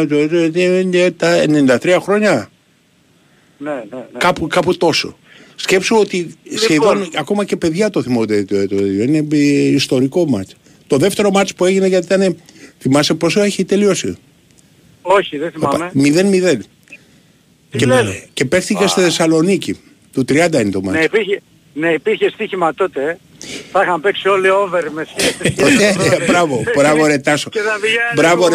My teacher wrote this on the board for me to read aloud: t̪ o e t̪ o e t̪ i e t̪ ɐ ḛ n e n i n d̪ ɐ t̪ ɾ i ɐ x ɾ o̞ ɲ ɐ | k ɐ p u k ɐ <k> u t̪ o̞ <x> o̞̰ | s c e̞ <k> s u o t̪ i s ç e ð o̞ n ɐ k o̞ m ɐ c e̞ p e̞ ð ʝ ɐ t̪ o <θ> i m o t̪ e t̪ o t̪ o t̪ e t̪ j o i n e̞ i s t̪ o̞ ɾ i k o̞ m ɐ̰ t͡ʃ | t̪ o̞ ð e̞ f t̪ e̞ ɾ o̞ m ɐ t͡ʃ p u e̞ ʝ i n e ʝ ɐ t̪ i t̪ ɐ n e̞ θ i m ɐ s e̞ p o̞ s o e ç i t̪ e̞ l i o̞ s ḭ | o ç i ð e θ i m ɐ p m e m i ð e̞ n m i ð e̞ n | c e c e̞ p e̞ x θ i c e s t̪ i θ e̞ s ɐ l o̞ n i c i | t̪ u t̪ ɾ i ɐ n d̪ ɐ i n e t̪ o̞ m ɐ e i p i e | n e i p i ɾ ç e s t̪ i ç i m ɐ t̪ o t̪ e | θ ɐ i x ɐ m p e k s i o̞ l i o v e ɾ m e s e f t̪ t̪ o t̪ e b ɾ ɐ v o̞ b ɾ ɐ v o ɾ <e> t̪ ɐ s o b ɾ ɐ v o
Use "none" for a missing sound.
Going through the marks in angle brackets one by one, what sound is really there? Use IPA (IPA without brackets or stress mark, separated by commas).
p, s, p, θ, e